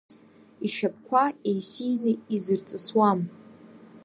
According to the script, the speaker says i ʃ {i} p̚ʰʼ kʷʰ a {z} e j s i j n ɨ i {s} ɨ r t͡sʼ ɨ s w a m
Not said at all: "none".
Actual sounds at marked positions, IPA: a, none, z

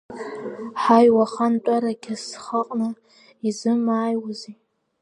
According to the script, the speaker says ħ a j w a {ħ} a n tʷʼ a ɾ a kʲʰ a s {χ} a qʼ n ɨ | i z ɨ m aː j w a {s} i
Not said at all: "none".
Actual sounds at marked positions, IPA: χ, χ, z

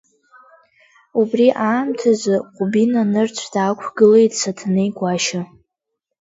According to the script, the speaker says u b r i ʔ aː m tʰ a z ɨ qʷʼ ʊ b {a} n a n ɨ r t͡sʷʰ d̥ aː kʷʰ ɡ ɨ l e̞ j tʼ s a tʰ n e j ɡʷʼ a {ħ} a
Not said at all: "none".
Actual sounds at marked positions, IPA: i, ʃ

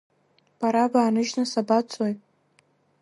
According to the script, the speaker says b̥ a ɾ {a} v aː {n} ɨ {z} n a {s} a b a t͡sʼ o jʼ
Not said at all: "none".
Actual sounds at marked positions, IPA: a, n, ʒ, s

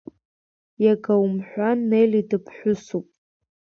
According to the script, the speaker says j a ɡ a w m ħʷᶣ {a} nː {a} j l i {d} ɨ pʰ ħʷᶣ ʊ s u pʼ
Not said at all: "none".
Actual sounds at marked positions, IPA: a, e, d

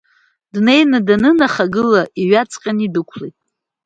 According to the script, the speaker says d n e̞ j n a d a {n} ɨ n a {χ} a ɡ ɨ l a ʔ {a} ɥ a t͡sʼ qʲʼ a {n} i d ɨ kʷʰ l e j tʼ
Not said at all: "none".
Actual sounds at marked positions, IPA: n, χ, i, n

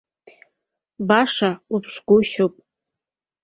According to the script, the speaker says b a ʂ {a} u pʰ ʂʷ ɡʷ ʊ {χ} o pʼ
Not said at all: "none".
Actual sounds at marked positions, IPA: a, ʃ

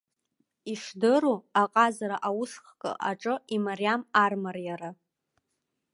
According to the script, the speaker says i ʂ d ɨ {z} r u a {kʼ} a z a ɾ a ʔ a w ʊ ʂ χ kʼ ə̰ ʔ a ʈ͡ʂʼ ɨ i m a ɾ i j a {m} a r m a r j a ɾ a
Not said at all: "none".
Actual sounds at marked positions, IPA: none, qʼ, m

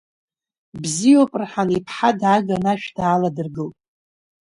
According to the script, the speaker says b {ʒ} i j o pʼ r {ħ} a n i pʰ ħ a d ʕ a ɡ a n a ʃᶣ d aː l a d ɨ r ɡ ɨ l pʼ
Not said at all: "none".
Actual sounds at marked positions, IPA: z, ħ

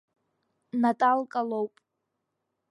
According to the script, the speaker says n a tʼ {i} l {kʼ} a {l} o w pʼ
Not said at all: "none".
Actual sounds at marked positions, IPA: a, kʼ, l

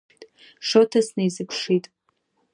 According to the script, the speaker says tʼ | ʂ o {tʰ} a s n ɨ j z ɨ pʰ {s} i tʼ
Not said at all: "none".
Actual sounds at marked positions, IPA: tʰ, ʂ

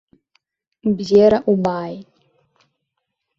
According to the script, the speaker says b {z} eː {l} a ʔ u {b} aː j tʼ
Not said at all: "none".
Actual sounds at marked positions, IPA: z, ɾ, b

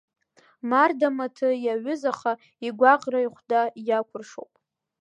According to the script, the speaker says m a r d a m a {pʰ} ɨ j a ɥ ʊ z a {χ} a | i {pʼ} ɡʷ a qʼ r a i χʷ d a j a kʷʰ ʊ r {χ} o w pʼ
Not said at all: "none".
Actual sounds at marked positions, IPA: tʰ, χ, none, ʂ

